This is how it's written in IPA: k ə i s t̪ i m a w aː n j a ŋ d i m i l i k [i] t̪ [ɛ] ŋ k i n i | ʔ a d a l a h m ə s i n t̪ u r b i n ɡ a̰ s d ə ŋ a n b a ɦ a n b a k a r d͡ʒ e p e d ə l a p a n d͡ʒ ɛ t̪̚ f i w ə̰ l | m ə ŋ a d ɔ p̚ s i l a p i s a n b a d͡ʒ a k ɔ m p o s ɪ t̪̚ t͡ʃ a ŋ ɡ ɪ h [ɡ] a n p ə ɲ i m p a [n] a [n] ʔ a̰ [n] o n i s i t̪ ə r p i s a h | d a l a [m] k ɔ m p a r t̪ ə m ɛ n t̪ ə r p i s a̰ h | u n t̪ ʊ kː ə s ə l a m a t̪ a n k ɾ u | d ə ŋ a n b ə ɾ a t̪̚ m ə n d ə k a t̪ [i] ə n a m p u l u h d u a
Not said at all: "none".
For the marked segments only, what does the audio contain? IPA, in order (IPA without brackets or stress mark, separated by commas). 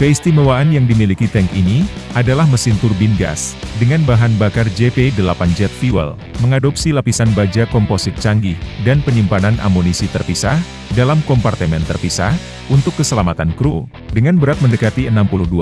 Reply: i, ɛ, d, n, n, m, m, i